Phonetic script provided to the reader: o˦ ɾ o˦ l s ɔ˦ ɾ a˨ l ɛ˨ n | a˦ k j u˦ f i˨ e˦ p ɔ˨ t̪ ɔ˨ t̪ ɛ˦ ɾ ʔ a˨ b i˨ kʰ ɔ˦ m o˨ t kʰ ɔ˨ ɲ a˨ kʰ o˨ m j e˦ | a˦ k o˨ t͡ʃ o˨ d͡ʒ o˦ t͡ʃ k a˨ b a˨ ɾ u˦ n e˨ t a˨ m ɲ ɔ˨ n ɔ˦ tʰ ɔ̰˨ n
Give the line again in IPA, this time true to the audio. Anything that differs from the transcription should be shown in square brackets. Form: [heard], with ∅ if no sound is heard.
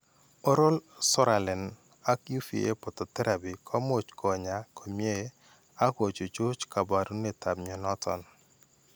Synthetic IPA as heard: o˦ ɾ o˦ l s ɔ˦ ɾ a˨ l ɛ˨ n | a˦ k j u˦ f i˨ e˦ p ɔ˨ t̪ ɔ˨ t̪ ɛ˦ ɾ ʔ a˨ b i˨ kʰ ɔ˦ m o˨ [t͡ʃ] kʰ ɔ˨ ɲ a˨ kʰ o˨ m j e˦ | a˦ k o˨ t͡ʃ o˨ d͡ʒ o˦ t͡ʃ k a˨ b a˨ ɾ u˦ n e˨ t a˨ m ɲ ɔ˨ n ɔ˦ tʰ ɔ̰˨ n